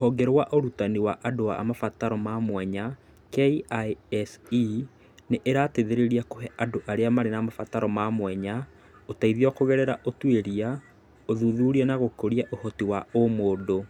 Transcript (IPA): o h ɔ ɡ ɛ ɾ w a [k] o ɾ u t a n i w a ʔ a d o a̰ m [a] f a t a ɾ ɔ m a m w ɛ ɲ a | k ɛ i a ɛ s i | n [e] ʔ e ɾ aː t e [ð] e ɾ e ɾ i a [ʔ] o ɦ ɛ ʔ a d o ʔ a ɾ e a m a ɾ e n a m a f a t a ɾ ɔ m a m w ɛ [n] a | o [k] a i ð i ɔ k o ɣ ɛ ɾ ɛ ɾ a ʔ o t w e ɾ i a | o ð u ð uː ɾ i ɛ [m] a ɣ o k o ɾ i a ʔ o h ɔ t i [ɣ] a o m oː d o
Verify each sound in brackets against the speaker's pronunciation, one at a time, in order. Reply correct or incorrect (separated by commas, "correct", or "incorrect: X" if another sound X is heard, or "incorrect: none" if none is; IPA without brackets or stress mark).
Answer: incorrect: ʔ, correct, correct, correct, incorrect: k, incorrect: ɲ, incorrect: t, incorrect: n, incorrect: w